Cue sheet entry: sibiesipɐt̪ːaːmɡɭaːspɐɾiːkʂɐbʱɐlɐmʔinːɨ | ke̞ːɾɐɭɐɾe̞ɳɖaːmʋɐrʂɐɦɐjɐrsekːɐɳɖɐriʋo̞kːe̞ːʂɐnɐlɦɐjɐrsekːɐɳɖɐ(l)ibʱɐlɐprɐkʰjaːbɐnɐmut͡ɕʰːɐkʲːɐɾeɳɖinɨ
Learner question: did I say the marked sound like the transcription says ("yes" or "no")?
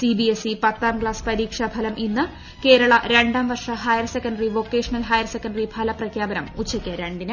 no